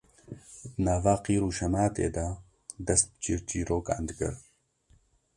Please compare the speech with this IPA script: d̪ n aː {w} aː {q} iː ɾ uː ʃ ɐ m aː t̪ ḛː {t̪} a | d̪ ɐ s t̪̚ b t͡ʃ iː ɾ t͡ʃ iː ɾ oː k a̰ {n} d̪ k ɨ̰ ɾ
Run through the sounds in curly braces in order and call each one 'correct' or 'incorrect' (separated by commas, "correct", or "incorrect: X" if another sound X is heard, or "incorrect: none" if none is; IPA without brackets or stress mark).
incorrect: v, correct, incorrect: d̪, correct